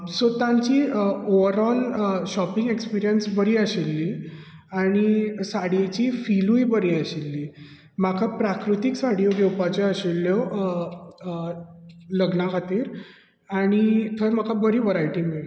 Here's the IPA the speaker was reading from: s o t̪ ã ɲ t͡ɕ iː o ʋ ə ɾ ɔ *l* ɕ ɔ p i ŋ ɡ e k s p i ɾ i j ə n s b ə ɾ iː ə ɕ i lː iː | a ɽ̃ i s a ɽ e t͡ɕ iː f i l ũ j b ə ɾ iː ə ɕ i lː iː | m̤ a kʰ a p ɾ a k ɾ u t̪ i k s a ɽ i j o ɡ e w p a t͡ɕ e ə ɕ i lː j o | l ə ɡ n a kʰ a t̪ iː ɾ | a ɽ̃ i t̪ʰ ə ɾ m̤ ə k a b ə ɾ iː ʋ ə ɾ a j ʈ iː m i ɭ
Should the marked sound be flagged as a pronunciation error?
no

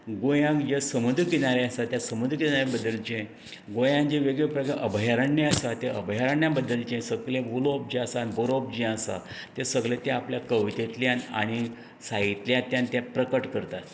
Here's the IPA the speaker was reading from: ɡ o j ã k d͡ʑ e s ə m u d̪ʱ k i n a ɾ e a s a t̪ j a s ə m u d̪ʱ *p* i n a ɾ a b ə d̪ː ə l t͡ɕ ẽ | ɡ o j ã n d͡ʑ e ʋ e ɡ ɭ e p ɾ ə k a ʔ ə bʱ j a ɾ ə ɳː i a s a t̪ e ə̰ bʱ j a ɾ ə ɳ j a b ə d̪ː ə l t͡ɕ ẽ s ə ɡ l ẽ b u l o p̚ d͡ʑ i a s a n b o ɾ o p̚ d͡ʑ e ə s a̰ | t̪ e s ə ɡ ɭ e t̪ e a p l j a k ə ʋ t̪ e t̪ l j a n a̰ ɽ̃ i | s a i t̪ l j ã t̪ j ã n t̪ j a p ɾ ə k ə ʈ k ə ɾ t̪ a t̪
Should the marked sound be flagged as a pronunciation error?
yes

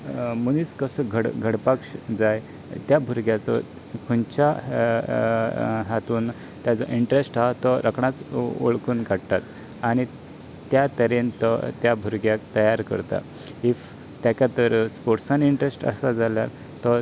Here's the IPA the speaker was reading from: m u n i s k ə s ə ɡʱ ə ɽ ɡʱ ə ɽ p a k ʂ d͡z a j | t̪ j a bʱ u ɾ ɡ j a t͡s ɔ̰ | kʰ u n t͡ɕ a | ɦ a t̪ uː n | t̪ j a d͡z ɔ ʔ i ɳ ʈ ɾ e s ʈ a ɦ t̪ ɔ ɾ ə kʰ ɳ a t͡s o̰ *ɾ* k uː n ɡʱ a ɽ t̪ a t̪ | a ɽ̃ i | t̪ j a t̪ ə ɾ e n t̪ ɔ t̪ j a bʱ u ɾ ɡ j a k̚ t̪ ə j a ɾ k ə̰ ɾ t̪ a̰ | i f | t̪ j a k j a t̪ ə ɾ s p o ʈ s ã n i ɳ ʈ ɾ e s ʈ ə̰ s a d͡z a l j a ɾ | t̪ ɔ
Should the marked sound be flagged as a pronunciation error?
yes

